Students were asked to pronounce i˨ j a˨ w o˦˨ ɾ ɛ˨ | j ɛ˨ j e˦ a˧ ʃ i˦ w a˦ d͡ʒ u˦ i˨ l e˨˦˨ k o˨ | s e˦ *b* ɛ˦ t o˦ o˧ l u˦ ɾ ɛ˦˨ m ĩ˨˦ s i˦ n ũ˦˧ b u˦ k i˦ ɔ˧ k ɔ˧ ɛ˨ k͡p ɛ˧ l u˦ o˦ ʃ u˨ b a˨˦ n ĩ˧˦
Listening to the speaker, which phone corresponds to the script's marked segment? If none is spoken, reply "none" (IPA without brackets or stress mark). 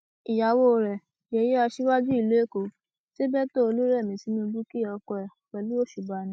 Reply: b